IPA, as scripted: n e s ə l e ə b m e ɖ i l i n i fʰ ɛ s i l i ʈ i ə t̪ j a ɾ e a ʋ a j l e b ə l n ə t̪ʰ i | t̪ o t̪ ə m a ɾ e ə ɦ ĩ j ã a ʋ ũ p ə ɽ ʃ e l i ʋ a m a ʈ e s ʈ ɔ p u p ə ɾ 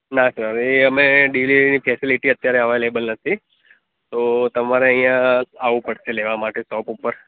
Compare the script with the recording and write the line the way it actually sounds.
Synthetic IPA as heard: n a s ə ɾ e ə m e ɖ i l i n i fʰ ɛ s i l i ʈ i ə t̪ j a ɾ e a ʋ a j l e b ə l n ə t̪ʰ i | t̪ o t̪ ə m a ɾ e ə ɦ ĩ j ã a ʋ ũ p ə ɽ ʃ e l e ʋ a m a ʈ e s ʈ ɔ p u p ə ɾ